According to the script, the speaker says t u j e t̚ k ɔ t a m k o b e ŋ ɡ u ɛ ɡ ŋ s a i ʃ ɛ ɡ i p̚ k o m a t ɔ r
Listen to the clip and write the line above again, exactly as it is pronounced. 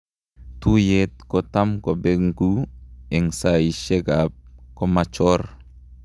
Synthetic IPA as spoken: t u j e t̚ k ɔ t a m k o b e ŋ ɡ u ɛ ŋ s a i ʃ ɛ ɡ a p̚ k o m a t͡ʃ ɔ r